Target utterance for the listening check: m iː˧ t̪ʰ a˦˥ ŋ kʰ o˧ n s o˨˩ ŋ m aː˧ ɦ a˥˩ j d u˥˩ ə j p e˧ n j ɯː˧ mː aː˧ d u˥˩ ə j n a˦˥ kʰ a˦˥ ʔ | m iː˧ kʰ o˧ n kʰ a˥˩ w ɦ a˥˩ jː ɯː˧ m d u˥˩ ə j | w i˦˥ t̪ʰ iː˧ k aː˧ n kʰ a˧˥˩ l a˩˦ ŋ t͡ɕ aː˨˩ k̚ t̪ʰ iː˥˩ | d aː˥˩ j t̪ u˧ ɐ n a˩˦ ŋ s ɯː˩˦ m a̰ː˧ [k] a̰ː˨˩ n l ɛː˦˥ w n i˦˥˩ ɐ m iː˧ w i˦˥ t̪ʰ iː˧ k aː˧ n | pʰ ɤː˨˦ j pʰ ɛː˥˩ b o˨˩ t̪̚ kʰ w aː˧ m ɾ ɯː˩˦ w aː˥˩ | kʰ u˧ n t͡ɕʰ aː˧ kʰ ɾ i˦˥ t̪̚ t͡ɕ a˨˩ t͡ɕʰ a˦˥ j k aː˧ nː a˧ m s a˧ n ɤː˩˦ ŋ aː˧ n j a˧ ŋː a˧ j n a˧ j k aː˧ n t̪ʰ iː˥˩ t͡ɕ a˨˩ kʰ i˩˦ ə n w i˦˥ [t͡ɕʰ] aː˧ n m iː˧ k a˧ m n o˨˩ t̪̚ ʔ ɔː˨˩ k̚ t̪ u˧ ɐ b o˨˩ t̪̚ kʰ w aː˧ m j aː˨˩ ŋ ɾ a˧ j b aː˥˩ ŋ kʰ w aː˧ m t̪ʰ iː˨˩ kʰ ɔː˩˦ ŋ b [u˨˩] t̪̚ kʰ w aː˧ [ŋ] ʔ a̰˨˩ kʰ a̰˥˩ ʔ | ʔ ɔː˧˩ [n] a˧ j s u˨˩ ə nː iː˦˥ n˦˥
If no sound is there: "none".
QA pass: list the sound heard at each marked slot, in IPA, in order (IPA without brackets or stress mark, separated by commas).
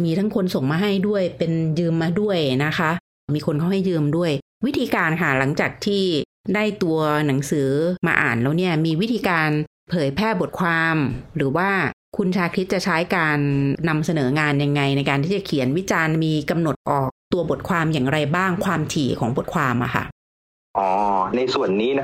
ʔ, t͡ɕ, o˨˩, m, n